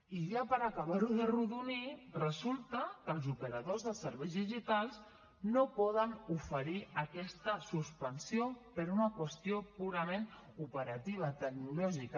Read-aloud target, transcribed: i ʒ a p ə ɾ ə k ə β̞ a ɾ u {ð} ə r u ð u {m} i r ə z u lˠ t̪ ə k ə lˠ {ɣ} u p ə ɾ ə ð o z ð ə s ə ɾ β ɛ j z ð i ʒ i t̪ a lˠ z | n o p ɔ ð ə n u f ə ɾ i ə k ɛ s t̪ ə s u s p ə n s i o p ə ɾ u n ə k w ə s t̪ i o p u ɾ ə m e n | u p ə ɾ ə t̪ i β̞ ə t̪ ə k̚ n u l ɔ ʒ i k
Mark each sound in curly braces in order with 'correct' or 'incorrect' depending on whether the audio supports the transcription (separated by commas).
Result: correct, incorrect, incorrect